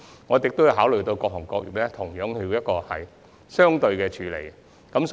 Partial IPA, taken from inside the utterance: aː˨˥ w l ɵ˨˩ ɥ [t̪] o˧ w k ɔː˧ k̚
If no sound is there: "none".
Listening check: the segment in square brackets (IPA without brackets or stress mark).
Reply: t̪